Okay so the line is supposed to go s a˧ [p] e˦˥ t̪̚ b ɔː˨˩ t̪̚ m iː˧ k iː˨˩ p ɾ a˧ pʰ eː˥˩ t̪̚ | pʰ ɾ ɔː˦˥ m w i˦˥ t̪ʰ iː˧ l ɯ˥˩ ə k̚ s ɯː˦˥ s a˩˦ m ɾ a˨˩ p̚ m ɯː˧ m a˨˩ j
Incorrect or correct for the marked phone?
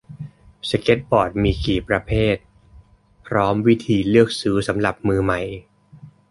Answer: incorrect: k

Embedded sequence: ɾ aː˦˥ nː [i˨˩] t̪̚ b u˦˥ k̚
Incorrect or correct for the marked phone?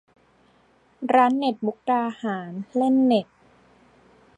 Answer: incorrect: e˨˩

